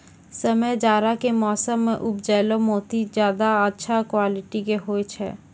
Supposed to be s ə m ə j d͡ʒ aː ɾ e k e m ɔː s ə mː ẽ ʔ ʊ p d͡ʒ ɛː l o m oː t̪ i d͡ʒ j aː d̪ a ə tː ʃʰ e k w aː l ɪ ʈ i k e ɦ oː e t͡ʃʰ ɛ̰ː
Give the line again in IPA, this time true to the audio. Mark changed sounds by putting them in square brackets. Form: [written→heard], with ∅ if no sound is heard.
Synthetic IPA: s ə m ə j d͡ʒ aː ɾ [e→a] k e m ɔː s ə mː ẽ ʔ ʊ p d͡ʒ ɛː l o m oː t̪ i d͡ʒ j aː d̪ a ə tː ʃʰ [e→a] k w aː l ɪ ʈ i k e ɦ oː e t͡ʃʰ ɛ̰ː